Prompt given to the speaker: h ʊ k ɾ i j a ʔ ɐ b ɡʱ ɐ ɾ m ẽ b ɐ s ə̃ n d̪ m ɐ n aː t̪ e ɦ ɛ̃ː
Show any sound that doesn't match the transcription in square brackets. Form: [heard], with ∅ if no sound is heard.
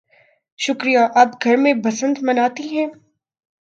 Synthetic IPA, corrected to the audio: [ʃ] ʊ k ɾ i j a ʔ ɐ b ɡʱ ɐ ɾ m ẽ b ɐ s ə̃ n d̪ m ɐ n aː t̪ [i] ɦ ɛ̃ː